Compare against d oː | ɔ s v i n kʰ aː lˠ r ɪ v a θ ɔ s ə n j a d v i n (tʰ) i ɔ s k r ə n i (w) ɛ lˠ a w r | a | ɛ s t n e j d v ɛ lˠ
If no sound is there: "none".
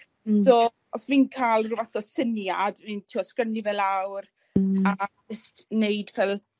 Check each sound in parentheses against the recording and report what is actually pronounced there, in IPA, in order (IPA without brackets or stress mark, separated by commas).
tʰ, v